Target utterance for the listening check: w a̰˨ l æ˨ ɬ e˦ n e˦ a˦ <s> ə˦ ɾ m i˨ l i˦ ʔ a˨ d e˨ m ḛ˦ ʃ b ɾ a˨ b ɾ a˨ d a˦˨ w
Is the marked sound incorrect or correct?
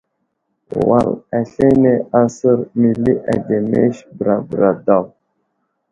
correct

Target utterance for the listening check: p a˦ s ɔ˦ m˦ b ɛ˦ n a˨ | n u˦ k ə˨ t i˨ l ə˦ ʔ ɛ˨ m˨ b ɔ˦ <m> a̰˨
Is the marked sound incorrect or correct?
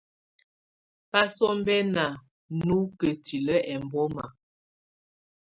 correct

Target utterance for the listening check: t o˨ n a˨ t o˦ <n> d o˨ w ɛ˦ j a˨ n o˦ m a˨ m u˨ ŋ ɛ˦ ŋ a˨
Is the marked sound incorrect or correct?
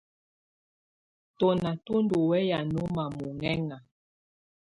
correct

